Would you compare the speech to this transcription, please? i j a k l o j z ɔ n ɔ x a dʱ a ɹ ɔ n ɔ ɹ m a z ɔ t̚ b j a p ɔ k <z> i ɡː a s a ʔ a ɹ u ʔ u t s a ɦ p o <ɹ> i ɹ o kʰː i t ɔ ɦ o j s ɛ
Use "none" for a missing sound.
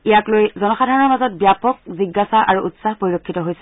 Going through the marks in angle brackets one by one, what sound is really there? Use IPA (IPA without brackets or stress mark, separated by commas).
z, ɹ